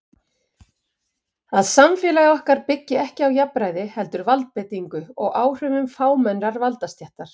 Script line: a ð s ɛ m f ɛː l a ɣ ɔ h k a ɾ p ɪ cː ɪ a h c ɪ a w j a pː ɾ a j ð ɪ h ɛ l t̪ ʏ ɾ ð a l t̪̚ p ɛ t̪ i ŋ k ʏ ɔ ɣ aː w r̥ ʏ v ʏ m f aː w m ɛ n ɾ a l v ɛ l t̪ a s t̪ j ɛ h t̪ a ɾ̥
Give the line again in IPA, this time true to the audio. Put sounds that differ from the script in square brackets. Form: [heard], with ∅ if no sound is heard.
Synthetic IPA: a ð s [a] m f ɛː l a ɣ ɔ h k a ɾ p ɪ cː ɪ [ɛ] h c ɪ a w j a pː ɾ a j ð ɪ h ɛ l t̪ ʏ ɾ [v] a l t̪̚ p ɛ t̪ i ŋ k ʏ ɔ ɣ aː w r̥ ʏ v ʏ m f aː w m ɛ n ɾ a [ɾ] v [a] l t̪ a s t̪ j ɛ h t̪ a ɾ̥